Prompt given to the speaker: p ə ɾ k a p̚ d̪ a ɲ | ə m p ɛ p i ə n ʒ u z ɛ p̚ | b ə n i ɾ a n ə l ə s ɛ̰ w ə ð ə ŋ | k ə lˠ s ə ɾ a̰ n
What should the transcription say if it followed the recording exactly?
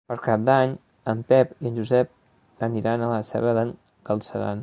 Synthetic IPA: p ə ɾ k a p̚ d̪ a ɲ | ə m p ɛ p i ə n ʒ u z ɛ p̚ | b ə n i ɾ a n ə l ə s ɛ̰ β ə ð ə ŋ | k ə lˠ s ə ɾ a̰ n